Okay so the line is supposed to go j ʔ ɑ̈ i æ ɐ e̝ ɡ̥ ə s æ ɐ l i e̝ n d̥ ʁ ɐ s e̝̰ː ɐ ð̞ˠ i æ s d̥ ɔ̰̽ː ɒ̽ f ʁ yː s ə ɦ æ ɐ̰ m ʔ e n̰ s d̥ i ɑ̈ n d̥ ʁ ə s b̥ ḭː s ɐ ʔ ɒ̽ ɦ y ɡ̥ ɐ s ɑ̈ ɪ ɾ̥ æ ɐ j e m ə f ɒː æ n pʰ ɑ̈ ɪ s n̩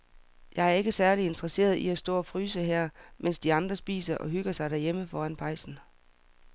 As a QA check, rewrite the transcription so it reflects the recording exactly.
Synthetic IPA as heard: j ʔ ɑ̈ ɪ æ ɐ e̝ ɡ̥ ə s æ ɐ l i e̝ n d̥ ʁ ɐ s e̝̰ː ɐ ð̞ˠ i æ s d̥ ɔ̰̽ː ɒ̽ f ʁ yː s ə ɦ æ ɐ̰ m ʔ e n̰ s d̥ i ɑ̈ n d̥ ʁ ɐ s b̥ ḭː s ɐ ʔ ɒ̽ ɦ y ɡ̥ ɐ s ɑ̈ ɪ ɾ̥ æ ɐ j e m ə f ɒː æ n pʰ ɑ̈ ɪ s n̩